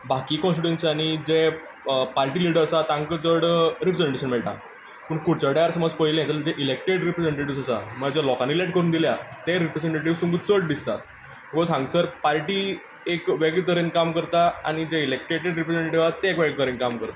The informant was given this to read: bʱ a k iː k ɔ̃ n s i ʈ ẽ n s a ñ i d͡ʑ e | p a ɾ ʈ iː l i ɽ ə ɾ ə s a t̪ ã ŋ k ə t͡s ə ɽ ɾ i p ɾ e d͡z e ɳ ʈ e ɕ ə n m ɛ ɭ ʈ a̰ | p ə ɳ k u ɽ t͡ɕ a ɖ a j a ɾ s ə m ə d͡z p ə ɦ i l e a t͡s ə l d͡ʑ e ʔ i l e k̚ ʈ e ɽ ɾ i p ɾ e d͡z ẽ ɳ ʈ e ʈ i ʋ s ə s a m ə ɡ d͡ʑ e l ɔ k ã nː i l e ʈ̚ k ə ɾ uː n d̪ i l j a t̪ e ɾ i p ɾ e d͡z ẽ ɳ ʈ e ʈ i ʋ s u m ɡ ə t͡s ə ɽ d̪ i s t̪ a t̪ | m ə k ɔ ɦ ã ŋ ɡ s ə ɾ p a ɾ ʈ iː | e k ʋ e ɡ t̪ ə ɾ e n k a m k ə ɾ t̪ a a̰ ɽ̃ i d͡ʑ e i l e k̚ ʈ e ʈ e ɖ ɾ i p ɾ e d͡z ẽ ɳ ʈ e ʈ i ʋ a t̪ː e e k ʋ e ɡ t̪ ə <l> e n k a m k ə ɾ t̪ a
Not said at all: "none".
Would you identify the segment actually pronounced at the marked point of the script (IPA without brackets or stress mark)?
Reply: ɾ